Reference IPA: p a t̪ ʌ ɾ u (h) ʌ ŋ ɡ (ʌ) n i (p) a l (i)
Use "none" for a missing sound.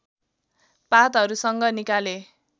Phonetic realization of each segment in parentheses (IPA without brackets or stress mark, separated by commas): s, ʌ, k, e